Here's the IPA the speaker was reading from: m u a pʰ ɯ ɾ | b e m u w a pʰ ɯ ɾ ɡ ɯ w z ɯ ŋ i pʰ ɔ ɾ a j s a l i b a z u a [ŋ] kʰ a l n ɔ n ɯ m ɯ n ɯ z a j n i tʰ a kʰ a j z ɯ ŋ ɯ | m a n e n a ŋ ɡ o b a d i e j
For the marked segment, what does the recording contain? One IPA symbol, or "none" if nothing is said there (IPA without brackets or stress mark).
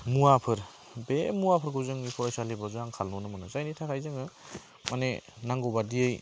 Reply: ŋ